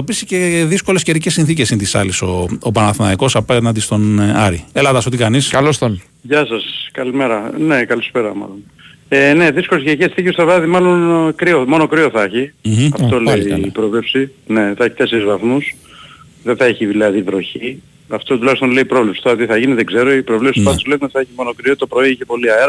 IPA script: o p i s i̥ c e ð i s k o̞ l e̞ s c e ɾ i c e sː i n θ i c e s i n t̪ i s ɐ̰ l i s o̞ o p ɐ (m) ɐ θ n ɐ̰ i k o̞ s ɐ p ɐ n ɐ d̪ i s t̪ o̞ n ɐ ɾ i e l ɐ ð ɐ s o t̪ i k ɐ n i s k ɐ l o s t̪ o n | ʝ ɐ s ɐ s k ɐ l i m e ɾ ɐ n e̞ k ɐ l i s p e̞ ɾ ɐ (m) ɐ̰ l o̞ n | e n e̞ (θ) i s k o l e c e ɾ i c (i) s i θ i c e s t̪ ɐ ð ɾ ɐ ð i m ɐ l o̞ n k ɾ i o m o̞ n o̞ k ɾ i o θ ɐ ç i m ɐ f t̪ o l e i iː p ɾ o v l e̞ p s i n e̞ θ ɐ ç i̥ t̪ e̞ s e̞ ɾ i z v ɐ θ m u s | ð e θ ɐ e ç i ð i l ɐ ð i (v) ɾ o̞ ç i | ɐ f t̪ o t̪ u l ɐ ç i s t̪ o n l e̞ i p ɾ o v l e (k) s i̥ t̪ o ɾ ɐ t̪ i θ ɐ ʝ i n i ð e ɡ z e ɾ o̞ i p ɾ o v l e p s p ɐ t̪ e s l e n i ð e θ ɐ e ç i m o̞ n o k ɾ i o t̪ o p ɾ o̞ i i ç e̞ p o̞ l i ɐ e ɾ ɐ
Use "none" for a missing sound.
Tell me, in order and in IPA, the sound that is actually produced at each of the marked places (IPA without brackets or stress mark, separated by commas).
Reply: n, m, ð, e, v, p